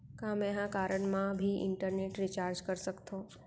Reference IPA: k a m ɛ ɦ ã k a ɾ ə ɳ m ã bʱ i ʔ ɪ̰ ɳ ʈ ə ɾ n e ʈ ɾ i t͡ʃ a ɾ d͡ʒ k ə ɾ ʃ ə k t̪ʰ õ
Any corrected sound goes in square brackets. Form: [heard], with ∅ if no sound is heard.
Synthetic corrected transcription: k a m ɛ ɦ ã k a ɾ ə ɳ m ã bʱ i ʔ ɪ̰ ɳ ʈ ə ɾ n e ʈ ɾ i t͡ʃ a ɾ d͡ʒ k ə ɾ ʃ ə k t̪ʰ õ